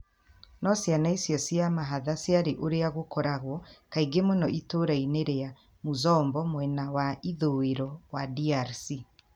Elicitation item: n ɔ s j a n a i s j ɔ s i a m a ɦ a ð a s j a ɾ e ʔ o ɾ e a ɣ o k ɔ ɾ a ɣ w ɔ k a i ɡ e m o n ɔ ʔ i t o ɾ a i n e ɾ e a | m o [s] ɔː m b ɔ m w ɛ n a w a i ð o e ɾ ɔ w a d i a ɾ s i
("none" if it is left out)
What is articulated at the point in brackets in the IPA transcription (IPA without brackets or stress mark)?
z